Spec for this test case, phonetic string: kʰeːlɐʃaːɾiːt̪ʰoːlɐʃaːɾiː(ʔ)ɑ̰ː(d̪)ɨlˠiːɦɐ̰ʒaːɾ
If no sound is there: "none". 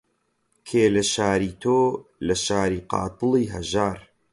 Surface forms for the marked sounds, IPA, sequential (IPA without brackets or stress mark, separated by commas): q, t̪